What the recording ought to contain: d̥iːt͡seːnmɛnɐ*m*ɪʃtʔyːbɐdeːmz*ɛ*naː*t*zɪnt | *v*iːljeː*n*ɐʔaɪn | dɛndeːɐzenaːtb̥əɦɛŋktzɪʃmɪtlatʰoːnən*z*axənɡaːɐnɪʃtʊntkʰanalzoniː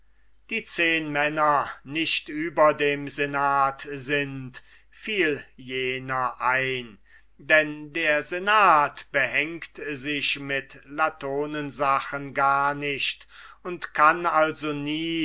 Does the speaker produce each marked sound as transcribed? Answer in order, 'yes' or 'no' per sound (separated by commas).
no, no, yes, no, yes, yes